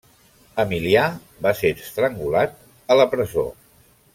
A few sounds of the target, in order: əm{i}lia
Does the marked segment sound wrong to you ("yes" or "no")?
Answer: no